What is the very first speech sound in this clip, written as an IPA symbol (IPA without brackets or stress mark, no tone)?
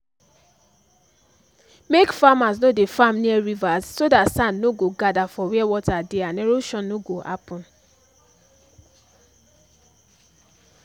m